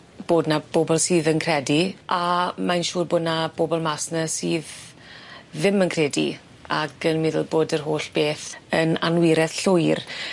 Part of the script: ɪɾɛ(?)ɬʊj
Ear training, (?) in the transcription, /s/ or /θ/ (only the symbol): θ